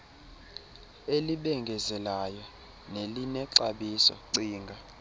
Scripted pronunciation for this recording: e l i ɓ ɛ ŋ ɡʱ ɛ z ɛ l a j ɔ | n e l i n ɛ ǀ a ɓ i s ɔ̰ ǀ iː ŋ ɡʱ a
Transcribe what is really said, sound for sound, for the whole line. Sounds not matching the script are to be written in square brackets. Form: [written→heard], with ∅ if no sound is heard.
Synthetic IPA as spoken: e l i ɓ ɛ ŋ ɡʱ ɛ z ɛ l a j ɔ | n e l i n ɛ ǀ a ɓ i s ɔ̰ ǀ iː ŋ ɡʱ a